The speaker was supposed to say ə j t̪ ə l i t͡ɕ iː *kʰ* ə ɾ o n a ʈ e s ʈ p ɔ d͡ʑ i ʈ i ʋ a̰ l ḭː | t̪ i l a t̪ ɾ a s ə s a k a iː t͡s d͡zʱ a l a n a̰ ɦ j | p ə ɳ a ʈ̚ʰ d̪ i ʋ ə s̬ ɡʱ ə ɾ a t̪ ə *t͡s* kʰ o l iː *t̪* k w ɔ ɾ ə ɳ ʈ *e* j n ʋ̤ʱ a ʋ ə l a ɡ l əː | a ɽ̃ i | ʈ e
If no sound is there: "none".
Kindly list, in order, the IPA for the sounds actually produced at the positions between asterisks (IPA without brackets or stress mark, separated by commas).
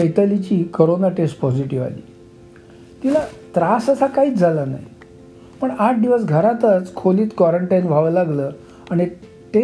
k, t͡s, t̪, a